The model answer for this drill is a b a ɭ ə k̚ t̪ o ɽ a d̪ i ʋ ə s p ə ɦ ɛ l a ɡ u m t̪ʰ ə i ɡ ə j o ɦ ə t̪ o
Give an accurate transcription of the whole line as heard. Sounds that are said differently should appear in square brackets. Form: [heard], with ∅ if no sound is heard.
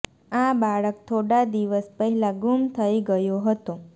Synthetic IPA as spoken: a b a ɭ ə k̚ [t̪ʰ] o ɽ a d̪ i ʋ ə s p ə ɦ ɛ l a ɡ u m t̪ʰ ə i ɡ ə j o ɦ ə t̪ o